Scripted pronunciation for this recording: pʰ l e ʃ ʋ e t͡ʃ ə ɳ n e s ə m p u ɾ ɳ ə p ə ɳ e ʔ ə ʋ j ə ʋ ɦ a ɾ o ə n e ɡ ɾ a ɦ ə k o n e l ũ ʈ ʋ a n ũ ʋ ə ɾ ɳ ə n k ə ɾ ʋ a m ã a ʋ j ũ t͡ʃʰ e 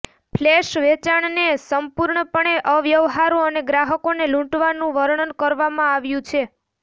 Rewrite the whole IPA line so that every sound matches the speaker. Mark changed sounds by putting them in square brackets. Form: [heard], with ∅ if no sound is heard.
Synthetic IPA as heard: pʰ l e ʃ ʋ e t͡ʃ [a] ɳ n e s ə m p u ɾ ɳ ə p ə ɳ e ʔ ə ʋ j ə ʋ ɦ a ɾ o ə n e ɡ ɾ a ɦ ə k o n e l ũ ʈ ʋ a n ũ ʋ ə ɾ ɳ ə n k ə ɾ ʋ a m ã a ʋ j ũ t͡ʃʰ e

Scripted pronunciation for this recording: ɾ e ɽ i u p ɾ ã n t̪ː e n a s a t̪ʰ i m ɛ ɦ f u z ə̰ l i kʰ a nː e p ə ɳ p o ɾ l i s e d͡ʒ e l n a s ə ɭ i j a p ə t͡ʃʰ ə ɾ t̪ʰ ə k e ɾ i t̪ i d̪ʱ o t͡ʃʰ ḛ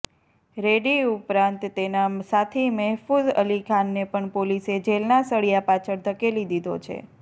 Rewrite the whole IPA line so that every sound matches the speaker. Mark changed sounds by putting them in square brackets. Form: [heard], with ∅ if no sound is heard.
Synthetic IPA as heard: ɾ e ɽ i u p ɾ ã n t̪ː e n a s a t̪ʰ i m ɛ ɦ f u z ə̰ l i kʰ a nː e p ə ɳ p o [∅] l i s e d͡ʒ e l n a s ə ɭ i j a p [a] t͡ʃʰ ə ɾ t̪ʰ ə k e [l] i [d̪] i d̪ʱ o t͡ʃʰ ḛ

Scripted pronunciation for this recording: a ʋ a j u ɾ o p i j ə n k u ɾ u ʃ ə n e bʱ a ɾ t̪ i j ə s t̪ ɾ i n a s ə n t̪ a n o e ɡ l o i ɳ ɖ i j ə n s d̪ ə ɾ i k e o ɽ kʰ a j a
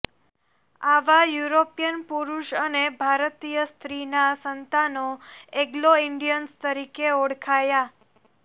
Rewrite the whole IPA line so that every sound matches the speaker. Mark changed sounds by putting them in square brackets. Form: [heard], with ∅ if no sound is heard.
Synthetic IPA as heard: a ʋ a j u ɾ o p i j ə n [p] u ɾ u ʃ ə n e bʱ a ɾ t̪ i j ə s t̪ ɾ i n a s ə n t̪ a n o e ɡ l o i ɳ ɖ i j ə n s [t̪] ə ɾ i k e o ɽ kʰ a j a

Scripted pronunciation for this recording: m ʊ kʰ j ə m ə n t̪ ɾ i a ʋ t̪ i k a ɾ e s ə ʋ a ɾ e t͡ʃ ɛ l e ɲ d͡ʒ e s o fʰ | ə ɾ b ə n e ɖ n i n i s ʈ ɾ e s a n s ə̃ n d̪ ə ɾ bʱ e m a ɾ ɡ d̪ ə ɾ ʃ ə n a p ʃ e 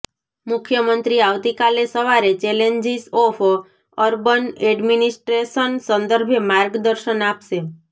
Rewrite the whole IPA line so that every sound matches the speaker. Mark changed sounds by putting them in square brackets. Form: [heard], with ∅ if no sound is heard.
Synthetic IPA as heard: m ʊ kʰ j ə m ə n t̪ ɾ i a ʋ t̪ i k a [l] e s ə ʋ a ɾ e t͡ʃ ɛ l e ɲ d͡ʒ [i] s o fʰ | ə ɾ b ə n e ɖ [m] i n i s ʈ ɾ e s [ə] n s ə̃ n d̪ ə ɾ bʱ e m a ɾ ɡ d̪ ə ɾ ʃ ə n a p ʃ e

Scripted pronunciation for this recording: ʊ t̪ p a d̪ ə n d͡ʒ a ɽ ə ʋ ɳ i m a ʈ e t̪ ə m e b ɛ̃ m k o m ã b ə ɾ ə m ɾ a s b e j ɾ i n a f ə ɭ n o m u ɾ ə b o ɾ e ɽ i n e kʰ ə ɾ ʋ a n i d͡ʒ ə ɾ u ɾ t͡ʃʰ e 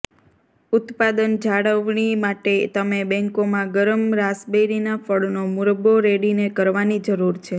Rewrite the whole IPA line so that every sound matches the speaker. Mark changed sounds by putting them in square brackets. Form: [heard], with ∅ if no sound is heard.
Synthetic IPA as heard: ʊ t̪ p a d̪ ə n d͡ʒ a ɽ ə ʋ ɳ i m a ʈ e t̪ ə m e b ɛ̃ [ŋ] k o m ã [ɡ] ə ɾ ə m ɾ a s b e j ɾ i n a f ə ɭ n o m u ɾ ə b o ɾ e ɽ i n e [k] ə ɾ ʋ a n i d͡ʒ ə ɾ u ɾ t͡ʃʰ e

